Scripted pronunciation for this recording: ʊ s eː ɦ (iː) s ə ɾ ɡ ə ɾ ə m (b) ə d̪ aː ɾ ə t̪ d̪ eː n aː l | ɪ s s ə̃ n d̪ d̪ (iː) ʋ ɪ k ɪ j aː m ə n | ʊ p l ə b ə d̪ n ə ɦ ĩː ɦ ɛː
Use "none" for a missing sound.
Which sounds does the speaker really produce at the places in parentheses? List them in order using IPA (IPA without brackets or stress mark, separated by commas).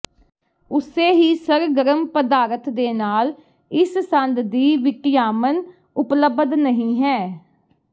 iː, p, iː